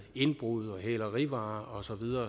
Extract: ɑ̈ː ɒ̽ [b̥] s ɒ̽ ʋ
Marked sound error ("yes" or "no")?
yes